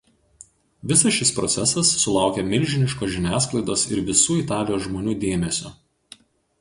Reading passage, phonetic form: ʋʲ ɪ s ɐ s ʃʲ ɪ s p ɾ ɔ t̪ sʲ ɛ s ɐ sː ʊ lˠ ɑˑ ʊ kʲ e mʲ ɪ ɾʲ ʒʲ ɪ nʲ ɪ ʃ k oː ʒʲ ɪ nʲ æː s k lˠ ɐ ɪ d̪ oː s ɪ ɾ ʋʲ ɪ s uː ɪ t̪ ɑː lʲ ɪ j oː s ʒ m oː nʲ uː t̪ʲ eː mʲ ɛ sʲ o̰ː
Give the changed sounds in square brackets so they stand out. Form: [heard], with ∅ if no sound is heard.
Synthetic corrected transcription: ʋʲ ɪ s ɐ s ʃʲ ɪ s p ɾ ɔ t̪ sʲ ɛ s ɐ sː ʊ lˠ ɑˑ ʊ kʲ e mʲ ɪ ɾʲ ʒʲ ɪ nʲ ɪ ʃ k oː ʒʲ ɪ nʲ æː s k lˠ ɐ ɪ d̪ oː s ɪ ɾ ʋʲ ɪ s uː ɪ t̪ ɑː lʲ ɪ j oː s ʒ m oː nʲ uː [d̪ʲ] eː mʲ ɛ sʲ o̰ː